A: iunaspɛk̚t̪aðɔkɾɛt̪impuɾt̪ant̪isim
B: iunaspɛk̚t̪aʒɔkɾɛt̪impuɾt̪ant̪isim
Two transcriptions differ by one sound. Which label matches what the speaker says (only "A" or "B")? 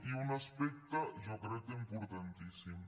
B